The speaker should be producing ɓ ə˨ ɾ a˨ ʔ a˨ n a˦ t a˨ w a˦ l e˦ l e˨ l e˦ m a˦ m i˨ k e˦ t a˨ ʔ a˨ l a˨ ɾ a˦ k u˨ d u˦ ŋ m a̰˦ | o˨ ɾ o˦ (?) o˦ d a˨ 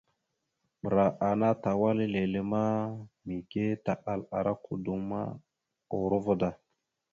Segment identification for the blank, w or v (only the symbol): v